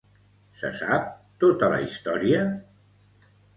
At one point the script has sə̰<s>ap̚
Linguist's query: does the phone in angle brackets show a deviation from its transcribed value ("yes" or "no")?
no